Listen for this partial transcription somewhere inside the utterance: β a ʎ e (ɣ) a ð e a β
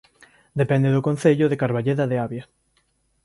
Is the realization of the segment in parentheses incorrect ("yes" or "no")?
yes